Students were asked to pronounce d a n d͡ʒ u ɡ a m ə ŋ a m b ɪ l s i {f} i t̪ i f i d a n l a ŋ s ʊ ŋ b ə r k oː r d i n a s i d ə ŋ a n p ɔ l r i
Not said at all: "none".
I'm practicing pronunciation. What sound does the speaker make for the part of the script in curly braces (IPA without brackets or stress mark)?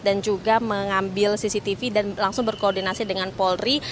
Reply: s